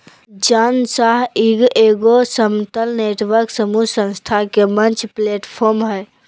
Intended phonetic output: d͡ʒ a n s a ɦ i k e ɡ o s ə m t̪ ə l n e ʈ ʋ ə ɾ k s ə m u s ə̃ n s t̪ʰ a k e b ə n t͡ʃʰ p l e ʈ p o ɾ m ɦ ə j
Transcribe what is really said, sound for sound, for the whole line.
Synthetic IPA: d͡ʒ a n s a ɦ i ɡ e ɡ o s ə m t̪ ə l n e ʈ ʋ ə ɾ k s ə m u s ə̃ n s t̪ʰ a k e m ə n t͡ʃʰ p l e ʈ pʰ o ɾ m ɦ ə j